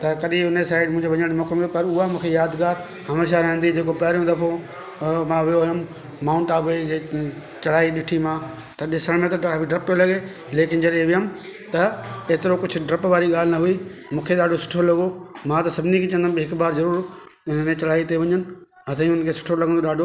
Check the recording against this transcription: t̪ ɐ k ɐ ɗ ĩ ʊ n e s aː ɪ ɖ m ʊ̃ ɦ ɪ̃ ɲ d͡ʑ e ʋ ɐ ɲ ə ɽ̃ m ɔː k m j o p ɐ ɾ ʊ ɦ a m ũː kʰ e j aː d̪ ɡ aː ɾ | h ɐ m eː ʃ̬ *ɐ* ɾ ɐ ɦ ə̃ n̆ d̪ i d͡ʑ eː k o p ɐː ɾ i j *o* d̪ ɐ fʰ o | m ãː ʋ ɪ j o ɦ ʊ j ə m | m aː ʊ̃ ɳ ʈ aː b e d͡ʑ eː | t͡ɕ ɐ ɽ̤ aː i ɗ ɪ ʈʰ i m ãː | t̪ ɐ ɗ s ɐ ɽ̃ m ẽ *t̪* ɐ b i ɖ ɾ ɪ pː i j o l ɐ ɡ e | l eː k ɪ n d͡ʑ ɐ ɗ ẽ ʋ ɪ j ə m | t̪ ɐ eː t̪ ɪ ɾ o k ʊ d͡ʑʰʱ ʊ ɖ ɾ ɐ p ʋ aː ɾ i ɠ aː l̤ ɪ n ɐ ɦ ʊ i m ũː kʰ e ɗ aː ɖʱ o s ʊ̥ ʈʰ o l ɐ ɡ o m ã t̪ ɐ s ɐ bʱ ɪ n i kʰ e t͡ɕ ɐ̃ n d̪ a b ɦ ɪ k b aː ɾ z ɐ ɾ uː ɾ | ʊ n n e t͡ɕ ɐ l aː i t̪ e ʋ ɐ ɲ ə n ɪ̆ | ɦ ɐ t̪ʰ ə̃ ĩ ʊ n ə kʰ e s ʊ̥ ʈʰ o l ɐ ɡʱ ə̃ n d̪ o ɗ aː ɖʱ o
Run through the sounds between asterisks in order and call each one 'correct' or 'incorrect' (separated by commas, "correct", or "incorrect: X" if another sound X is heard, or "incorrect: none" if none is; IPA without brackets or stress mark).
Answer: incorrect: a, incorrect: õ, correct